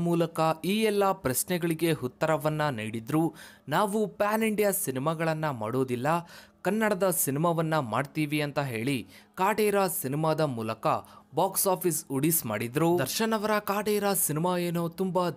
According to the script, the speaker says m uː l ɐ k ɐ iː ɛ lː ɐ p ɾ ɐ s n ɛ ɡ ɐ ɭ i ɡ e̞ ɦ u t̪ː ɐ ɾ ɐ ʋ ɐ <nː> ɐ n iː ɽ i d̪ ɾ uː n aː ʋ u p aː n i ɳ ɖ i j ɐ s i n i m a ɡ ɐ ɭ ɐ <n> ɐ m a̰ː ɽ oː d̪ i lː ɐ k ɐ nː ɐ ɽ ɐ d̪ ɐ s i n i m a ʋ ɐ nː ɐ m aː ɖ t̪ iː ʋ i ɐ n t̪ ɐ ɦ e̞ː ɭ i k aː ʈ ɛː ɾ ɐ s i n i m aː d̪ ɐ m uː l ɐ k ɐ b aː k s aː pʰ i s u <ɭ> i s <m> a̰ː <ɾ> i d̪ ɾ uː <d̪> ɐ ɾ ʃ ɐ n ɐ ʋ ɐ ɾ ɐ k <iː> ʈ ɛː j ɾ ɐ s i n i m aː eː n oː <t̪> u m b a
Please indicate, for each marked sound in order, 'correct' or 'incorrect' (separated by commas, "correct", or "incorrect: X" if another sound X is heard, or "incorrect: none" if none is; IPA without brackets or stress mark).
correct, incorrect: nː, incorrect: ɽ, correct, incorrect: ɽ, correct, incorrect: aː, correct